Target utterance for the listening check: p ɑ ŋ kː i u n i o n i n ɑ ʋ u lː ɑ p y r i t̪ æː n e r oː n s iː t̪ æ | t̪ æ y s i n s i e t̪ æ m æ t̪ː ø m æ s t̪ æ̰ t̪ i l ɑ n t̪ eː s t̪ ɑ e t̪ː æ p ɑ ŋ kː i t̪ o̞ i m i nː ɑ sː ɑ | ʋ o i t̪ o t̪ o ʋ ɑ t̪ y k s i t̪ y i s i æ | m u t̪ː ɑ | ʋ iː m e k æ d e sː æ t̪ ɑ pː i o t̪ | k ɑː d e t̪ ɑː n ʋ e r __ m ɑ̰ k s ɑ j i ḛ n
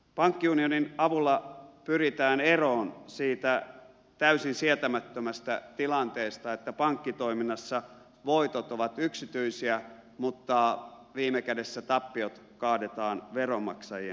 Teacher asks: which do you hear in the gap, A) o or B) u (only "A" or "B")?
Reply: A